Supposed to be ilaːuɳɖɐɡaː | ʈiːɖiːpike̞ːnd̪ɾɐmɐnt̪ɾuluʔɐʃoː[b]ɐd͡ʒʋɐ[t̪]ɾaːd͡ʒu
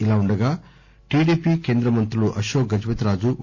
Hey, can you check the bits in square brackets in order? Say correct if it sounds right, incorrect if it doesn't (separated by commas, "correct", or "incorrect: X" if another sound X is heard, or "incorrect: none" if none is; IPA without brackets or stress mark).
incorrect: ɡ, correct